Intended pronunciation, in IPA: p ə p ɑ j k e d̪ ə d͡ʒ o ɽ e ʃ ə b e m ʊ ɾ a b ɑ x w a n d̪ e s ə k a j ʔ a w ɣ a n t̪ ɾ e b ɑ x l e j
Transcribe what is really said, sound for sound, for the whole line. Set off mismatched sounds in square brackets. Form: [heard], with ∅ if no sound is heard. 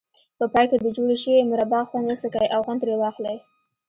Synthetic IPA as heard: p ə p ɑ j k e d̪ ə d͡ʒ o ɽ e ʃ ə [w] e m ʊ ɾ a b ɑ x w a n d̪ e s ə k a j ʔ a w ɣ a n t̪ ɾ e [w] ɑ x l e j